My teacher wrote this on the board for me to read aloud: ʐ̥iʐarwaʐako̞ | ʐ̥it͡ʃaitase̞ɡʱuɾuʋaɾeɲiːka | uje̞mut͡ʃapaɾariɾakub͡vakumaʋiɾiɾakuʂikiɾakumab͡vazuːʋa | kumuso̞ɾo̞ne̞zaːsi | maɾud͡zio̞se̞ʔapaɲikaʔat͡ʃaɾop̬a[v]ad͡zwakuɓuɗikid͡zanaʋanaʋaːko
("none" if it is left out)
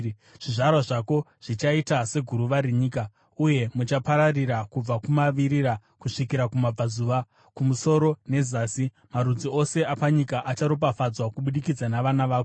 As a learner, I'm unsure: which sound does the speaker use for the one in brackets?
f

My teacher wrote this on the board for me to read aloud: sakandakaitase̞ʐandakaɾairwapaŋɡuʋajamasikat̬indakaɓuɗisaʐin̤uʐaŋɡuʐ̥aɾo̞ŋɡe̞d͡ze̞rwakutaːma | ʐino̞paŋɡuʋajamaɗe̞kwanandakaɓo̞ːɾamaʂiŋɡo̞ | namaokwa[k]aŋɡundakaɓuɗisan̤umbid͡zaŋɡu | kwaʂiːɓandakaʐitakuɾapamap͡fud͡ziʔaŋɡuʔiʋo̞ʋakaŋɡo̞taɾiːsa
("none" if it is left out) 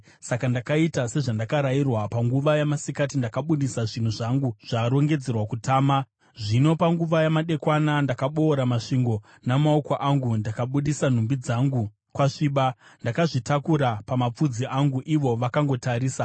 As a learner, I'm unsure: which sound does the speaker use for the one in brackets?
ʔ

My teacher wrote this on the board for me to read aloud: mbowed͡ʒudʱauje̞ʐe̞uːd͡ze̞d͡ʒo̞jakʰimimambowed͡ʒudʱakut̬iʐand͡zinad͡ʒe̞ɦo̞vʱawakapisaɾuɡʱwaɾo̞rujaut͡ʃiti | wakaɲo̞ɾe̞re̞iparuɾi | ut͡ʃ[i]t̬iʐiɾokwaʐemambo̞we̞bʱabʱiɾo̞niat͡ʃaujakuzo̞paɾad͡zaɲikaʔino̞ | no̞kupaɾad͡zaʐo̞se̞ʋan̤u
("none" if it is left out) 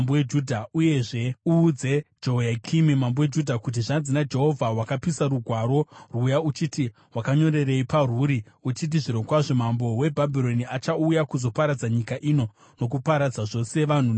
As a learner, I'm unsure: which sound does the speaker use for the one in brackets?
i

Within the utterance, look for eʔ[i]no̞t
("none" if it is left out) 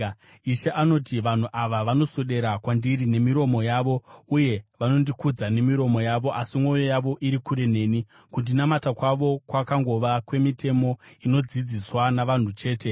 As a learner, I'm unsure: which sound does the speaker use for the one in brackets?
a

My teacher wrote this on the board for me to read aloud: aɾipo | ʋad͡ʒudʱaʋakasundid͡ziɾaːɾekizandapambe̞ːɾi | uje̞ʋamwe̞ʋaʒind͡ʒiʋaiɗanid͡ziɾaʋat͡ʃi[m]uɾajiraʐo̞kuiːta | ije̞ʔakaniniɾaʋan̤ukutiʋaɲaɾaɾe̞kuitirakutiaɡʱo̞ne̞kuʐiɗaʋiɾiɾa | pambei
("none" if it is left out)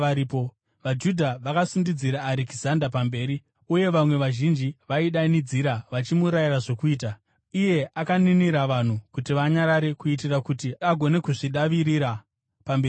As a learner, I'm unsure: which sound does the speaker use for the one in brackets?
m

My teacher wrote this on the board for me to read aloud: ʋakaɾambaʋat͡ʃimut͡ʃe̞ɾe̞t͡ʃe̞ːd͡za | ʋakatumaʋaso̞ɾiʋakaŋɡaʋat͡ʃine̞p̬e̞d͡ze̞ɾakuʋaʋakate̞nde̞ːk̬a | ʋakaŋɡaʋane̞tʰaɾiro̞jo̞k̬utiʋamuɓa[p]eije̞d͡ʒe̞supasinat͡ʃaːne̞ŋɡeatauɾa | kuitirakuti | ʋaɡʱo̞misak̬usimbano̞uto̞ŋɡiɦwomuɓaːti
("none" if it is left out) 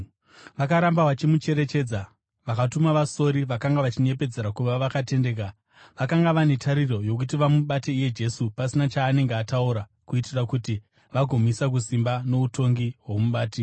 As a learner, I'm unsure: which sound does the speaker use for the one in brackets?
t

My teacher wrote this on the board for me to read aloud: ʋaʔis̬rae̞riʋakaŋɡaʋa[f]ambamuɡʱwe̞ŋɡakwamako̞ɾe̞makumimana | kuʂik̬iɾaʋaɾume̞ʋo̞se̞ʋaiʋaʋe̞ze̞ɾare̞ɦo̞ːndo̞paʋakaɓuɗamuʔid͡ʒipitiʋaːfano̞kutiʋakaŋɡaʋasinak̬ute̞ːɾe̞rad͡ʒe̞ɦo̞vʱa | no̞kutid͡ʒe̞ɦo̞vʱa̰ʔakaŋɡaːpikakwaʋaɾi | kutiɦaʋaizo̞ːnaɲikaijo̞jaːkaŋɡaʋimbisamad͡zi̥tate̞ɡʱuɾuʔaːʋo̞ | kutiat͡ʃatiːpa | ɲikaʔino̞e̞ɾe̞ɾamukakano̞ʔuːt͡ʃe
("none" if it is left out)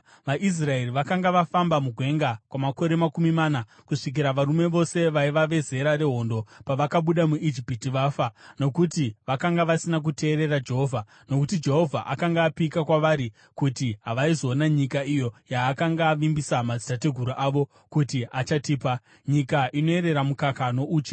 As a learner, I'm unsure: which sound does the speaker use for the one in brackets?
f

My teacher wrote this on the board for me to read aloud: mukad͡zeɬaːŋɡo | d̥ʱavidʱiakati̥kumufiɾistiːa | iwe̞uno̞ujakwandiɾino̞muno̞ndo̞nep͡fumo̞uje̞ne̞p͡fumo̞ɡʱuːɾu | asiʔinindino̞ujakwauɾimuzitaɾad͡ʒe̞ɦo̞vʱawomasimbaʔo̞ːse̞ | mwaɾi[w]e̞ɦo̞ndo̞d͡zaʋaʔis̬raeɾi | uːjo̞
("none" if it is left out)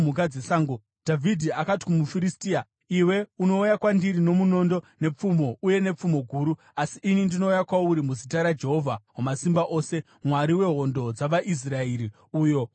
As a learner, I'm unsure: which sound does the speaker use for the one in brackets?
w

